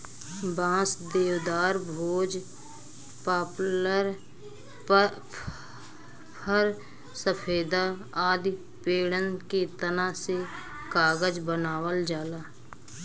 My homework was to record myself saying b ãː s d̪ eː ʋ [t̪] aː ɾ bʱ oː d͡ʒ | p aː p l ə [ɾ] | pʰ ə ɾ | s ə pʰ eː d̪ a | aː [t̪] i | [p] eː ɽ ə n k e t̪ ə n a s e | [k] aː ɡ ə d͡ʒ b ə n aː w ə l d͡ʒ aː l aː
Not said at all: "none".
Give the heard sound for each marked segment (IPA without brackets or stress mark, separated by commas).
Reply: d̪, ɾ, d̪, p, k